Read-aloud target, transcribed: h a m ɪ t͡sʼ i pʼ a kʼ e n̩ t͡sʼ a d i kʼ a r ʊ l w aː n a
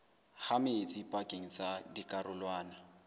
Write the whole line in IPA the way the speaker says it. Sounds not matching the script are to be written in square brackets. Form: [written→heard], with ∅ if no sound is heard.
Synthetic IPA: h a m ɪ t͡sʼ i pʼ a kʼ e [n̩→ŋ̩] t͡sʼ a d i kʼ a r ʊ l w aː n a

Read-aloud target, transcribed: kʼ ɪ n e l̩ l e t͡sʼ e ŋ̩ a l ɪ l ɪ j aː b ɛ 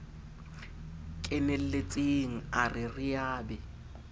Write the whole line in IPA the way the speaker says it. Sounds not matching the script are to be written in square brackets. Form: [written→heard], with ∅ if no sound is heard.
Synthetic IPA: kʼ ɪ n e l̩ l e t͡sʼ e ŋ̩ a [l→r] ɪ [l→r] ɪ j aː b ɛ

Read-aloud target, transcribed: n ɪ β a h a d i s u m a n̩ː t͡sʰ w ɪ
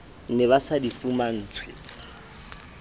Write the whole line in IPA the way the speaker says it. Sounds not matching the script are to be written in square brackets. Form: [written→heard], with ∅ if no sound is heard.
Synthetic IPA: n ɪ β a [h→s] a d i [s→f] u m a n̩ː t͡sʰ w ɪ

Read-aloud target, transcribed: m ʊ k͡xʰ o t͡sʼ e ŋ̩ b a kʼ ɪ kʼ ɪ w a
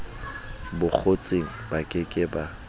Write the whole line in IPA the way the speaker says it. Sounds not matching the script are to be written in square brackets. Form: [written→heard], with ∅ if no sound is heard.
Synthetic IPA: [m→b] ʊ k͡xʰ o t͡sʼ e ŋ̩ b a kʼ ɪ kʼ ɪ [w→b] a

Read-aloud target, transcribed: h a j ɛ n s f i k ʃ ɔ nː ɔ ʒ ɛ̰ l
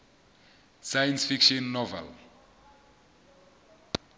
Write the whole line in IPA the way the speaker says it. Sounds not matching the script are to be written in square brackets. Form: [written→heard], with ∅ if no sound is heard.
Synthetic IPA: [h→s] a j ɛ n s f i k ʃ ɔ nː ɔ [ʒ→v] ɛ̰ l

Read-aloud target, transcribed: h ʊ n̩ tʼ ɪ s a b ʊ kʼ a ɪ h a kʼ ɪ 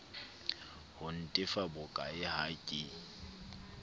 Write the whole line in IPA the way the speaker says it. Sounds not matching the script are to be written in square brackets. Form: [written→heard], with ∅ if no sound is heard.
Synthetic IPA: h ʊ n̩ tʼ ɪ [s→f] a b ʊ kʼ a ɪ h a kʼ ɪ

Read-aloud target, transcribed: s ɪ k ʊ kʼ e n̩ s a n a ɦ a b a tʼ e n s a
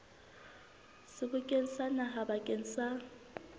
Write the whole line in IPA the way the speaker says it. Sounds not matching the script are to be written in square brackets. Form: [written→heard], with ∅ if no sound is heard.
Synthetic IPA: s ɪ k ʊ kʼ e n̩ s a n a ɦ a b a [tʼ→kʼ] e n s a

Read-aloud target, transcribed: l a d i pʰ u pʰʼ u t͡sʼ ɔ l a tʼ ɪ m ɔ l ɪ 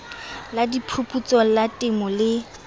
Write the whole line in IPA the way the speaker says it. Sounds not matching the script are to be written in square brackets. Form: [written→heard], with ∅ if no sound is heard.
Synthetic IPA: l a d i pʰ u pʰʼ u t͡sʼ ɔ l a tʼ ɪ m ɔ l ɪ

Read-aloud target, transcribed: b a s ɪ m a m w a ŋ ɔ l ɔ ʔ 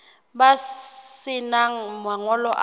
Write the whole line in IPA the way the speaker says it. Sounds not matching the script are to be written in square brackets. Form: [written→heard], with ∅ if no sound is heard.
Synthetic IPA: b a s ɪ [m→n] a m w a ŋ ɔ l ɔ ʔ

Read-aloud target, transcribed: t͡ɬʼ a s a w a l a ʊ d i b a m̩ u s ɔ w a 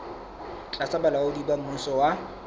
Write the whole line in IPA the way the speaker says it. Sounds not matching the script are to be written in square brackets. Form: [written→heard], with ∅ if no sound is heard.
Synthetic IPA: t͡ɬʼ a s a [w→b] a l a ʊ d i b a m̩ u s ɔ w a

